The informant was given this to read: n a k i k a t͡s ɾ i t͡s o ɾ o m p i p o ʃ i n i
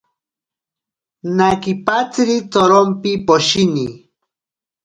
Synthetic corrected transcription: n a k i p a t͡s ɾ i t͡s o ɾ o m p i p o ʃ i n i